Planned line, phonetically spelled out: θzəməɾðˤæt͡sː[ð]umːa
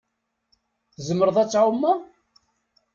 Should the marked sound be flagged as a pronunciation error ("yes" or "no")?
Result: yes